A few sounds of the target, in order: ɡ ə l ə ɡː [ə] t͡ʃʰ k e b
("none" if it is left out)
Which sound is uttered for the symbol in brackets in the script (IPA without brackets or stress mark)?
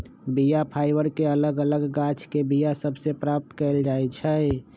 a